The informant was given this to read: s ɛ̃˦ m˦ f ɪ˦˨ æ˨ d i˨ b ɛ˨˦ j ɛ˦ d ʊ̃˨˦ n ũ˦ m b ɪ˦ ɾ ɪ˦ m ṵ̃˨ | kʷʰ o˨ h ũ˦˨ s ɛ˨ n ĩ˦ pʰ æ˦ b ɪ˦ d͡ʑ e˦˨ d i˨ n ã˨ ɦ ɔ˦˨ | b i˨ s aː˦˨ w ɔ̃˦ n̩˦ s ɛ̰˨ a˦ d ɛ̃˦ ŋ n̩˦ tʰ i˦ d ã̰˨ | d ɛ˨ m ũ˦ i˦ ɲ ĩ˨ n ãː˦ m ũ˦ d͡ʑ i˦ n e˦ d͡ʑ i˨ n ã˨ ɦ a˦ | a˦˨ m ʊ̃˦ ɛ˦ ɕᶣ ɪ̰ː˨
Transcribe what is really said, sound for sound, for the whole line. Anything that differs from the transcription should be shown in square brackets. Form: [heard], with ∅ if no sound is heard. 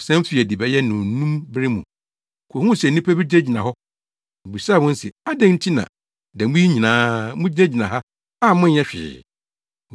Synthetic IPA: s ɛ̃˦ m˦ f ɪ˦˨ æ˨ d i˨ b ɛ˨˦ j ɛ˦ [n] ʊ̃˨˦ n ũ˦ m b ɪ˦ ɾ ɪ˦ m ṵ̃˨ | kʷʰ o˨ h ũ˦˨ s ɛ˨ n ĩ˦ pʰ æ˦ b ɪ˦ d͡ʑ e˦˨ [d͡ʑ] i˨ n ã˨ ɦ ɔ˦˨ | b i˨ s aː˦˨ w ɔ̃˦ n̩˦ s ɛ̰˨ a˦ d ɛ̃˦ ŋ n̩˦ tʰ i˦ [n] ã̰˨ | d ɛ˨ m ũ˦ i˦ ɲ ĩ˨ n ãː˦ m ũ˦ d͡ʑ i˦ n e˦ d͡ʑ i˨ n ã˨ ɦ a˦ | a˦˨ m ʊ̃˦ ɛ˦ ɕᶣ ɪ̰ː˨